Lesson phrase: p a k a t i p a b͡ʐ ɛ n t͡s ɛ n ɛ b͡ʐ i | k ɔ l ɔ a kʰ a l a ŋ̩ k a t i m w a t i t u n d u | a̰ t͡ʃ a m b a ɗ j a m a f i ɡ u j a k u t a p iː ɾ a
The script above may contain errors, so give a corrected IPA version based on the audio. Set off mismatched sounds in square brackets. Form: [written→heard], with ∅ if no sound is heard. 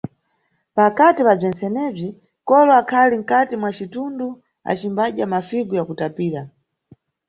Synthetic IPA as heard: p a k a t i p a b͡ʐ ɛ n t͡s ɛ n ɛ b͡ʐ i | k ɔ l ɔ a kʰ a l [a→i] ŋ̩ k a t i m w a [t→t͡ʃ] i t u n d u | a̰ t͡ʃ [a→i] m b a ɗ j a m a f i ɡ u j a k u t a p iː ɾ a